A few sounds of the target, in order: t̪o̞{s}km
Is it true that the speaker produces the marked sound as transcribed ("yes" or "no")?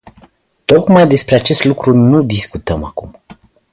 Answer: no